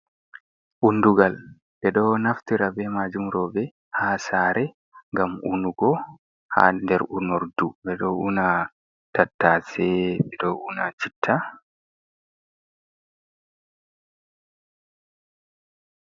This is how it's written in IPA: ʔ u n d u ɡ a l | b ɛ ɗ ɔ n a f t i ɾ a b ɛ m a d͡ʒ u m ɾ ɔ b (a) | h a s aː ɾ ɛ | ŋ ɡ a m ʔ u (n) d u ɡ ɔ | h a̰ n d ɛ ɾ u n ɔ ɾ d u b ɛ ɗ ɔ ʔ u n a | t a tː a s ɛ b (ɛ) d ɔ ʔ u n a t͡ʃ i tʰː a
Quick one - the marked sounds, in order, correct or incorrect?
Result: incorrect, correct, correct

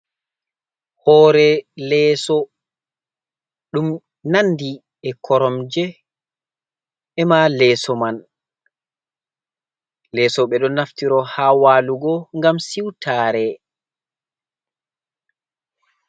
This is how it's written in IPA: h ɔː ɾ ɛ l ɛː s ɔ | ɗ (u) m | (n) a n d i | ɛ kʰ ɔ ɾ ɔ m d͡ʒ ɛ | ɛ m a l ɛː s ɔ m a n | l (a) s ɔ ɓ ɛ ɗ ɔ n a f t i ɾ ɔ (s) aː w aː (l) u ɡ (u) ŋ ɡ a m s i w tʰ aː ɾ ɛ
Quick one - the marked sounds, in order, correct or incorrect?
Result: correct, correct, incorrect, incorrect, correct, incorrect

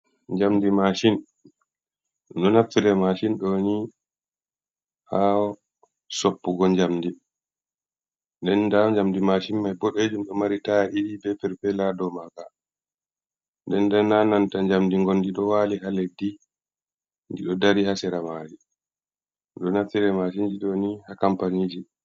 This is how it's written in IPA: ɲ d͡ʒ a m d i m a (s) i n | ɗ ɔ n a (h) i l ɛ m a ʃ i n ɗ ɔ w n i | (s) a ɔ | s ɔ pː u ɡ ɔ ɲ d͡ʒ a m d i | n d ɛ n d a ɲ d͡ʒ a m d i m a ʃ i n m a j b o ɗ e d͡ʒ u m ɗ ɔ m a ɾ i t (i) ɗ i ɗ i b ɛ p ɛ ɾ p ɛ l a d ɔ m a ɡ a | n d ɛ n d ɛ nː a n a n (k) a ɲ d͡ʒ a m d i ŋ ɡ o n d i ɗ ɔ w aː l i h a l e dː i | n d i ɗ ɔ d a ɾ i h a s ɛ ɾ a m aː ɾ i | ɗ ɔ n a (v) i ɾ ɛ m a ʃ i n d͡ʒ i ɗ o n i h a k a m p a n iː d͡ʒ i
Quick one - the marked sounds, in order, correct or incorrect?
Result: incorrect, incorrect, incorrect, incorrect, incorrect, incorrect

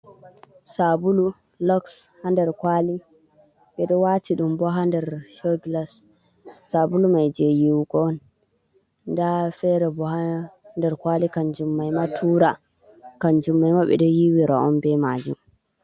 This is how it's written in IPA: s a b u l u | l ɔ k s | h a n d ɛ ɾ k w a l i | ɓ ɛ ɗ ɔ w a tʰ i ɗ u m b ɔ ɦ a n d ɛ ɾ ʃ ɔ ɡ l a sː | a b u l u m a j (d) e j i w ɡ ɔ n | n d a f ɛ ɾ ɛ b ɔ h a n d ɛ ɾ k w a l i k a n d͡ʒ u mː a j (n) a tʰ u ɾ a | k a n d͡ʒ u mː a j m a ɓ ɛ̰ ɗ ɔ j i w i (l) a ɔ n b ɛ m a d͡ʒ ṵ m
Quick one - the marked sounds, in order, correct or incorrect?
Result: incorrect, incorrect, incorrect

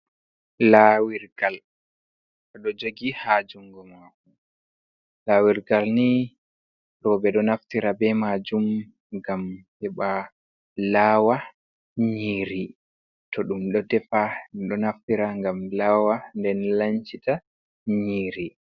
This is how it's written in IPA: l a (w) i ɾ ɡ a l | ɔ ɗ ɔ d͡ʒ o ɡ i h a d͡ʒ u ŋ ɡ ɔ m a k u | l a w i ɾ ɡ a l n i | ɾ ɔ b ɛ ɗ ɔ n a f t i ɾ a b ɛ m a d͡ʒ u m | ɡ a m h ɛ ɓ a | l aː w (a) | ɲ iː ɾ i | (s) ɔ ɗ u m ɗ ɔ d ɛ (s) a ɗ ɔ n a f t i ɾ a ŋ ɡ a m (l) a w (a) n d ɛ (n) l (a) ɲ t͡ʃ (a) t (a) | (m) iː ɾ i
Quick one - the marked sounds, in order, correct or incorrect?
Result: correct, correct, incorrect, incorrect, correct, correct, correct, correct, incorrect, correct, incorrect

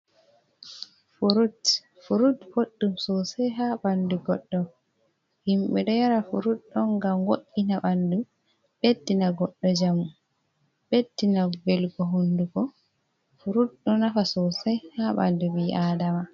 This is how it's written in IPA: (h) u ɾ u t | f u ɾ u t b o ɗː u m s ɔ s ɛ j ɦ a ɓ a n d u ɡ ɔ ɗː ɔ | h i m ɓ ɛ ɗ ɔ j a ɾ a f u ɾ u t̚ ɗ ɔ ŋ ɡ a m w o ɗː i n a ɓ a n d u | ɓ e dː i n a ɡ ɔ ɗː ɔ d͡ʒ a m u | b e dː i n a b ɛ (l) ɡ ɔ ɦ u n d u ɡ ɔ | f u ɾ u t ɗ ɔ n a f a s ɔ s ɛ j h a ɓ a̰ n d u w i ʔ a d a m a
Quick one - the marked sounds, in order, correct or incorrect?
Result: incorrect, correct

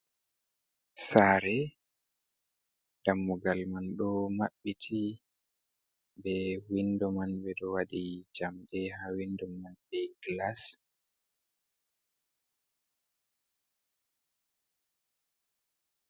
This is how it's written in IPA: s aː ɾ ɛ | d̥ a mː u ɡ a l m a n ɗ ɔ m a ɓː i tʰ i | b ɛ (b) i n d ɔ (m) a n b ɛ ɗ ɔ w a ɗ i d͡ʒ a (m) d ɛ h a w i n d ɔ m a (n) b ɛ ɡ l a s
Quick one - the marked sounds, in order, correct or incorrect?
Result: incorrect, correct, correct, correct

